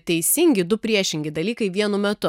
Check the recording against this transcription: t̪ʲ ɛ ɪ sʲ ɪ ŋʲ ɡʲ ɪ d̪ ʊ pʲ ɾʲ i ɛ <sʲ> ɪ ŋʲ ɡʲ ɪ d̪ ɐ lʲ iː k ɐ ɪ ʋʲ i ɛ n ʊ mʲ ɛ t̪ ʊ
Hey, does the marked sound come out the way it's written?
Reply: no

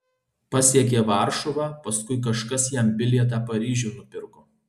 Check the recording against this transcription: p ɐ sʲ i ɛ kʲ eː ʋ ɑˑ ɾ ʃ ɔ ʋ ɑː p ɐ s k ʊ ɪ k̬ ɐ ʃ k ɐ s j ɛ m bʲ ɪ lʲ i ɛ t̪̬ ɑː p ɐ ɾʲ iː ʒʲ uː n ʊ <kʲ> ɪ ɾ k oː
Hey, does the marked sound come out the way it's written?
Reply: no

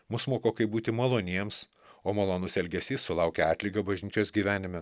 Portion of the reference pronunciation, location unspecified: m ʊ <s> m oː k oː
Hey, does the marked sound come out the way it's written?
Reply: yes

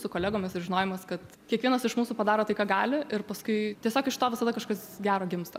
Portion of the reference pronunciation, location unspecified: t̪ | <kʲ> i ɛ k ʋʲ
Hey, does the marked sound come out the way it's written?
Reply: yes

